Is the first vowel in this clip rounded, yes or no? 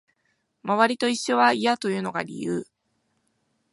no